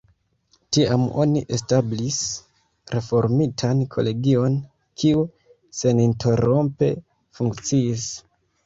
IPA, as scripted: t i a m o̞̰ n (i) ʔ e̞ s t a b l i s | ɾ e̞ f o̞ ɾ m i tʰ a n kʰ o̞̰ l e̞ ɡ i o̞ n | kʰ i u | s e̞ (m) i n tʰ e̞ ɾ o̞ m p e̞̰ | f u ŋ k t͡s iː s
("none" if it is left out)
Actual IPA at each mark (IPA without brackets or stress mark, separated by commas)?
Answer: i, n